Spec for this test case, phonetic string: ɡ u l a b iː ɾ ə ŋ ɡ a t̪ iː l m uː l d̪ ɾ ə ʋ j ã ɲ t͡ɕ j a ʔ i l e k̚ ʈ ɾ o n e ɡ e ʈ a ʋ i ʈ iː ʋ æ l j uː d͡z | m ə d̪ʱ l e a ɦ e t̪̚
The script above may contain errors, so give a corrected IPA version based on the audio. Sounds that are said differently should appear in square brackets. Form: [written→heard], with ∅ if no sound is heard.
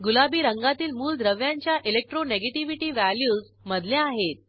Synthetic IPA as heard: ɡ u l a b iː ɾ ə ŋ ɡ a t̪ iː l m uː l d̪ ɾ ə ʋ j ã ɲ t͡ɕ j a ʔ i l e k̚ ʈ ɾ o n e ɡ e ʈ [a→i] ʋ i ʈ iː ʋ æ l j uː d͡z | m ə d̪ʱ l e a ɦ e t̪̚